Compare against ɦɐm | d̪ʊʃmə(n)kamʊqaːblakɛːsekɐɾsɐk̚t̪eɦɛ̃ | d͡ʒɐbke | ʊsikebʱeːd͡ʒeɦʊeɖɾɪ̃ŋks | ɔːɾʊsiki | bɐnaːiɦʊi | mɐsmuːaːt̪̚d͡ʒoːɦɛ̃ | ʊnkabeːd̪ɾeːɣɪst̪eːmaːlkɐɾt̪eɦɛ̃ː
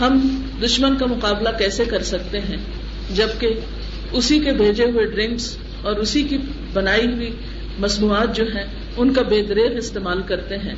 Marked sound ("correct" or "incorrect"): correct